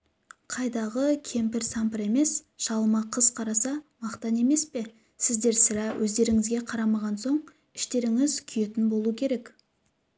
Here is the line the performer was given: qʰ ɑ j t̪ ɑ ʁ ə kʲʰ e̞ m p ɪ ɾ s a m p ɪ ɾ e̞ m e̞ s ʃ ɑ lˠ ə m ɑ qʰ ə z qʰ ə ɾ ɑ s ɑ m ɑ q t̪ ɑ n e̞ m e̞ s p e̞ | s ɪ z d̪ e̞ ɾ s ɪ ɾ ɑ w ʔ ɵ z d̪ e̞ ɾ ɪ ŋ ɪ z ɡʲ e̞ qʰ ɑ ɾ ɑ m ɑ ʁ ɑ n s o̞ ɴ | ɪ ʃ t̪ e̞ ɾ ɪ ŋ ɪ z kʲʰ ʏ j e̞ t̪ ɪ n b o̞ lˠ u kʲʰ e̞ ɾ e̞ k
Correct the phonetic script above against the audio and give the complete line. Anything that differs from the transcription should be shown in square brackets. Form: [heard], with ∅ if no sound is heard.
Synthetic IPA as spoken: qʰ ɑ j [d̪] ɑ ʁ ə kʲʰ e̞ m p ɪ ɾ s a m p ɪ ɾ e̞ m e̞ s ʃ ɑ lˠ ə m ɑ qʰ ə z qʰ [ɑ] ɾ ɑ s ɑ m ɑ q t̪ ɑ n e̞ m e̞ s p e̞ | s ɪ z d̪ e̞ ɾ s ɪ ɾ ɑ w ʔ ɵ z d̪ e̞ ɾ ɪ ŋ ɪ z ɡʲ e̞ qʰ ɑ ɾ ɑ m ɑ ʁ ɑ n s o̞ ɴ | ɪ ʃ t̪ e̞ ɾ ɪ ŋ ɪ z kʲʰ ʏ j e̞ t̪ ɪ n b o̞ lˠ u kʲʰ e̞ ɾ e̞ k